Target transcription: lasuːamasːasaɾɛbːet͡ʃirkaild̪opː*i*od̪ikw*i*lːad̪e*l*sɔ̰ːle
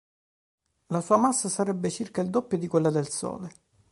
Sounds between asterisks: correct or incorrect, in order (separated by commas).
incorrect, incorrect, correct